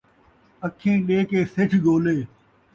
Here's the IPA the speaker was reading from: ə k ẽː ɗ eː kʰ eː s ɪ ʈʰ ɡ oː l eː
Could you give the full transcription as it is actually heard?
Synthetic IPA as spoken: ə kʰ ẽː ɗ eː k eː s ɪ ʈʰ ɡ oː l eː

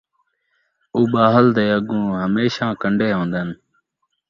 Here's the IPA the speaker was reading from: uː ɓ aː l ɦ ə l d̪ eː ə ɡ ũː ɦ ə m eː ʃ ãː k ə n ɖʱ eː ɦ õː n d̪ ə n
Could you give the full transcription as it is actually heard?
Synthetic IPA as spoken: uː ɓ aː ɦ ə l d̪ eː ə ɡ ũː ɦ ə m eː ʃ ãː k ə ɳ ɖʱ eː ɦ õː n d̪ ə n

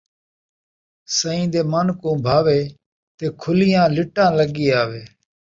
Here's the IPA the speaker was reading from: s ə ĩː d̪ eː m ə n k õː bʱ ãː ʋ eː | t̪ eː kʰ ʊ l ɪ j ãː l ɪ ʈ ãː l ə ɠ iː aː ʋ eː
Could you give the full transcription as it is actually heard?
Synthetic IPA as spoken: s ə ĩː d̪ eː m ə n k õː bʱ aː ʋ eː | t̪ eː kʰ ʊ l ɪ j ãː l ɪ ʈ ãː l ə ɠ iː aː ʋ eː

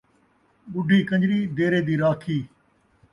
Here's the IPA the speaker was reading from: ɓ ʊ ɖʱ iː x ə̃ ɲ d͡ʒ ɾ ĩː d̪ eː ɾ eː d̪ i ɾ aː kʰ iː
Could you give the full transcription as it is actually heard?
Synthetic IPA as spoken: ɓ ʊ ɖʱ iː k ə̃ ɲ d͡ʒ ɾ iː d̪ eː ɾ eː d̪ iː ɾ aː kʰ iː

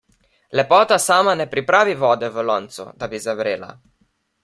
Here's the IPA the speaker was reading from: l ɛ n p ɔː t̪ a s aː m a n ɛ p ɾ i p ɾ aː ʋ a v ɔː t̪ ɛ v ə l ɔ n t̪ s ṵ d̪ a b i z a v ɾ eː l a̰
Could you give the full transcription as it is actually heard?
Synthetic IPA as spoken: l ɛ p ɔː t̪ a s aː m a n ɛ p ɾ i p ɾ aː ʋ i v ɔː d̪ ɛ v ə l ɔ n t̪ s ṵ d̪ a b i z a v ɾ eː l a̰

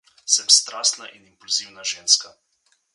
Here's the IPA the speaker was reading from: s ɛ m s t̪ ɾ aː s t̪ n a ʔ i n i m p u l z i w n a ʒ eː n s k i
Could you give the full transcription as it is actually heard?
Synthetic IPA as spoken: s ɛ m s t̪ ɾ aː s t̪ n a ʔ i n i m p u l z i w n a ʒ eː n s k a

